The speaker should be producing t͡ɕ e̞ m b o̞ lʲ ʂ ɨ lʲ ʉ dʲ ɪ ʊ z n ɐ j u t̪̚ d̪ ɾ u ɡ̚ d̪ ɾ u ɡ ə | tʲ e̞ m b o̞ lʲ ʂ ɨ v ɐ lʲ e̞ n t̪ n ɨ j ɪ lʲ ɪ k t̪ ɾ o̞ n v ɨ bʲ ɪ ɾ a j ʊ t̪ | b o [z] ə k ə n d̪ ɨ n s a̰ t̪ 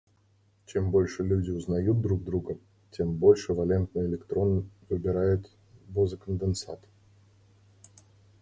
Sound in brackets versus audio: correct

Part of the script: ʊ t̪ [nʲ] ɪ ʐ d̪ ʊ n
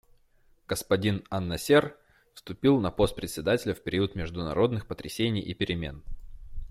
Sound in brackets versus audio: incorrect: mʲ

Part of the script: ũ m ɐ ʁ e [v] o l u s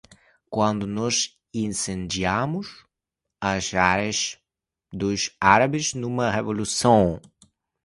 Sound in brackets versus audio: correct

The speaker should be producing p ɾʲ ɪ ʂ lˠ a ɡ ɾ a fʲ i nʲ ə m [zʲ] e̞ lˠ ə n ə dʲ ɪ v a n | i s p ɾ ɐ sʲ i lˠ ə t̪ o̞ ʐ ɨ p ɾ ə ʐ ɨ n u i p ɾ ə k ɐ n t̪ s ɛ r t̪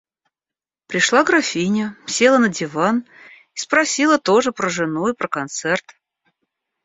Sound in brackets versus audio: incorrect: sʲ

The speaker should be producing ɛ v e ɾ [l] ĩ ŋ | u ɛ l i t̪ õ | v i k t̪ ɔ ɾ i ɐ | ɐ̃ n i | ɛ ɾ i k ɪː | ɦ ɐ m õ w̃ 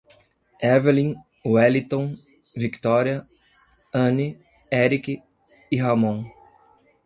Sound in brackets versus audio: correct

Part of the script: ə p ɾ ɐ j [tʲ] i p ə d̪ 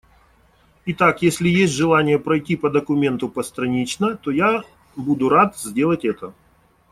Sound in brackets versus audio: correct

